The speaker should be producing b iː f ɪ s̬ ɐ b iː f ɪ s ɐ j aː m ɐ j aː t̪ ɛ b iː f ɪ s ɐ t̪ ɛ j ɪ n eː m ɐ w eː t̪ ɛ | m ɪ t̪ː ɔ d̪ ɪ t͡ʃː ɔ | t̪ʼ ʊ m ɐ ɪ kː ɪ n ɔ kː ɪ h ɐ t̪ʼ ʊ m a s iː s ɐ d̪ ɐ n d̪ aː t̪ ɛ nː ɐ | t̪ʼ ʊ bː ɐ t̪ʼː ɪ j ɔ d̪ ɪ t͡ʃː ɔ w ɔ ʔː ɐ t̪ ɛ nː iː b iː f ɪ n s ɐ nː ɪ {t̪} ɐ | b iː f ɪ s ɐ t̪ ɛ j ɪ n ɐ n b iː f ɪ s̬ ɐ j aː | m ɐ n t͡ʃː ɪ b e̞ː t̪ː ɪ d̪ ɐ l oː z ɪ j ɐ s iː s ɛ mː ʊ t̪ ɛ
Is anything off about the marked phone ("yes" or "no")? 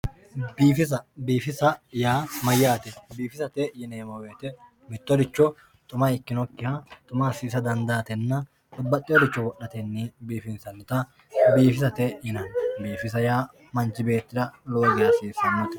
no